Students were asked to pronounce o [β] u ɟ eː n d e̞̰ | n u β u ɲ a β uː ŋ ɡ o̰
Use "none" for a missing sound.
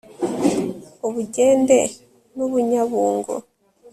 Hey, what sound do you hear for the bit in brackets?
β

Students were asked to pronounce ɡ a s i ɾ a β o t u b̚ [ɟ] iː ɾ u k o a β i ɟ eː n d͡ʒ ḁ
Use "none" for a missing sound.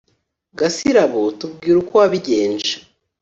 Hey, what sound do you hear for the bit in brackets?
ɡ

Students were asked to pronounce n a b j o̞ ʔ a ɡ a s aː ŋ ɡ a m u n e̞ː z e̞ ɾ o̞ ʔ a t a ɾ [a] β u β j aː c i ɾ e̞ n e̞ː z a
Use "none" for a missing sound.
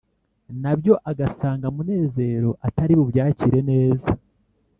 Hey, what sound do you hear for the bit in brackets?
i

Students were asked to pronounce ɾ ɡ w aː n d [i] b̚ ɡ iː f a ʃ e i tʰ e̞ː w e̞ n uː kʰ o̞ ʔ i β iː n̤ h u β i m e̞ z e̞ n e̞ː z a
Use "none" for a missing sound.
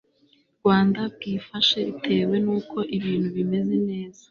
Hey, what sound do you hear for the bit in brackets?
a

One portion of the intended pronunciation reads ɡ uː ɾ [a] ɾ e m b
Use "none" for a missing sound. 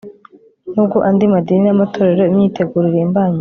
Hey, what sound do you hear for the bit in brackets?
i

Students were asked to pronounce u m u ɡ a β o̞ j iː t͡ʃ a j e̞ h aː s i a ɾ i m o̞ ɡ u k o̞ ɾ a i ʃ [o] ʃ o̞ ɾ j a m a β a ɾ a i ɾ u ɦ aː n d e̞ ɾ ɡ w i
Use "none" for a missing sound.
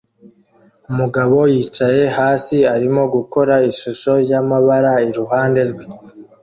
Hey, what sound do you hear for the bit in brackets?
u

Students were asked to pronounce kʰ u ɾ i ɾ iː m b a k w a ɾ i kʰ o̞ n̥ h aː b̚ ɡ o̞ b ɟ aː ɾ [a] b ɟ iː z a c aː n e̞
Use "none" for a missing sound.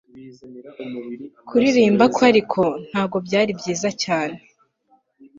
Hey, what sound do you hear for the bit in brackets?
i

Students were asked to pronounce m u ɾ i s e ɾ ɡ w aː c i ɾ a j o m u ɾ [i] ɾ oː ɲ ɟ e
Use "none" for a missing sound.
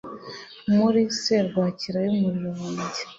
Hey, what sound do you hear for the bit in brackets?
i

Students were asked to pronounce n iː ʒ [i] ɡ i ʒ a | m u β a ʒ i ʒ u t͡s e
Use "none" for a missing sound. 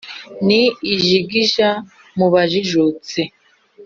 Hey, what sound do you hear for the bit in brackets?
i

